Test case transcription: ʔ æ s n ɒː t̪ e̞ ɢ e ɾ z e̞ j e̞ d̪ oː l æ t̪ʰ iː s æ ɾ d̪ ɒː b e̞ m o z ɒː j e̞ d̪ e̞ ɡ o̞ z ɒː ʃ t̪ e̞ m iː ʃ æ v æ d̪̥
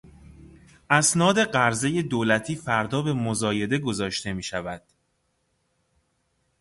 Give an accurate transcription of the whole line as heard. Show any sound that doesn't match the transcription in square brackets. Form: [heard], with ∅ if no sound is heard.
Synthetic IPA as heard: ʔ æ s n ɒː [d̪] e̞ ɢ [æ] ɾ z e̞ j e̞ d̪ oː l æ t̪ʰ iː [f] æ ɾ d̪ ɒː b e̞ m o z ɒː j e̞ d̪ e̞ ɡ o̞ z ɒː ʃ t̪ e̞ m iː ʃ æ v æ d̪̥

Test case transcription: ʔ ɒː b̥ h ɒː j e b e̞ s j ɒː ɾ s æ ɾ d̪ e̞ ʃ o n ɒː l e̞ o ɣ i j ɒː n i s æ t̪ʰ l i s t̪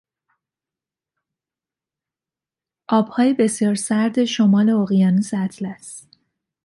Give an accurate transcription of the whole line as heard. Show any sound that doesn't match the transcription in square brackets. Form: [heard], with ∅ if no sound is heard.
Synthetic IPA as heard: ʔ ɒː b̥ h ɒː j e b e̞ s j ɒː ɾ s æ ɾ d̪ e̞ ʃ o [m] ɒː l e̞ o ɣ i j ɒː n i s æ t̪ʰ l [æ] s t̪

